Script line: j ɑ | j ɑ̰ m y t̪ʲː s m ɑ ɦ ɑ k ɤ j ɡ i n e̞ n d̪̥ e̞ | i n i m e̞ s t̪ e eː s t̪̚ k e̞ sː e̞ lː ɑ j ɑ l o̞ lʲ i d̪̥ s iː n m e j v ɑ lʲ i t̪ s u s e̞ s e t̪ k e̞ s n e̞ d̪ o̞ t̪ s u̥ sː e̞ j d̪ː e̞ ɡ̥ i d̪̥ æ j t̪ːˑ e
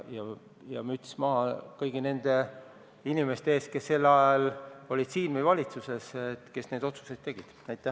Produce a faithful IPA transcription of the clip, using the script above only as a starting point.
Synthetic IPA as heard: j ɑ | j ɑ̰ m y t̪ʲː s m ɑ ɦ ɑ k ɤ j ɡ i n e̞ n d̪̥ e̞ | i n i m e̞ s t̪ e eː s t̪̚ k e̞ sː e̞ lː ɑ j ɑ l o̞ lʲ i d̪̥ s iː n m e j v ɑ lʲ i t̪ s u s e̞ s e t̪ k e̞ s n e̞ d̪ o̞ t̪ s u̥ s e̞ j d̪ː e̞ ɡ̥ i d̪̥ æ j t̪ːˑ æ